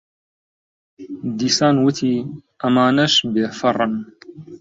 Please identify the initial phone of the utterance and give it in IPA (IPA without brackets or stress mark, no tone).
d̪